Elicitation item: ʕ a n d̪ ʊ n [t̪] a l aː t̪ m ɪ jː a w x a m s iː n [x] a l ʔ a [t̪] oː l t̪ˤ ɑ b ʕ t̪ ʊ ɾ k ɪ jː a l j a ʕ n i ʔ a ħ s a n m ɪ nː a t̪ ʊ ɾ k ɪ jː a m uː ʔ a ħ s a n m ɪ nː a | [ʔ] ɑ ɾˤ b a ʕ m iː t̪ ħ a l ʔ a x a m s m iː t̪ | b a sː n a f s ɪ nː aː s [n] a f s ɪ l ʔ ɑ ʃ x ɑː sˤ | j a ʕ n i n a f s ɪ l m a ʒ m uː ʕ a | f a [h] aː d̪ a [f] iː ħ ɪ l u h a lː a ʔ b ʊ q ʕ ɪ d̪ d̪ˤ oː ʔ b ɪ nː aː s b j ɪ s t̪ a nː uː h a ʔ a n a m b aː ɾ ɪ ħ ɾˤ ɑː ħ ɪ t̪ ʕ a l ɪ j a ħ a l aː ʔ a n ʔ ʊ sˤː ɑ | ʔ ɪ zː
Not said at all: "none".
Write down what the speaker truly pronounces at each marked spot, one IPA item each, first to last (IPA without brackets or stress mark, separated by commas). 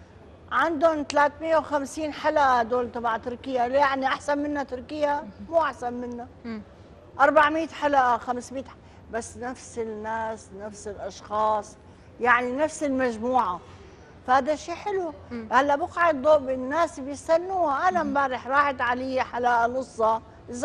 t̪, ħ, d̪, ʔ, n, h, ʃ